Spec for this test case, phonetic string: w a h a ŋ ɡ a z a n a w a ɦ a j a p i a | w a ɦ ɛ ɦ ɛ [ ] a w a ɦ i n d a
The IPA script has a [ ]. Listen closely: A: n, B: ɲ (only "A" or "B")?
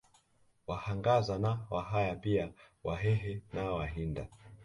A